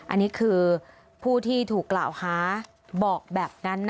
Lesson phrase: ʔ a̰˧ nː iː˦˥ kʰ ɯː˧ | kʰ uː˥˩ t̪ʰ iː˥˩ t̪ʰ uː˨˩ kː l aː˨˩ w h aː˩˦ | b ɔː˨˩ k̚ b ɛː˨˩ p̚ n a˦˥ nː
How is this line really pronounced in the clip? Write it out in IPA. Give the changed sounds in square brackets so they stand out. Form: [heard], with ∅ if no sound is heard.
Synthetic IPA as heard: ʔ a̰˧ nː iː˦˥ kʰ ɯː˧ | [pʰ] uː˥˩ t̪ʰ iː˥˩ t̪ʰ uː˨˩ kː l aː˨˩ w h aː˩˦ | b ɔː˨˩ k̚ b ɛː˨˩ p̚ n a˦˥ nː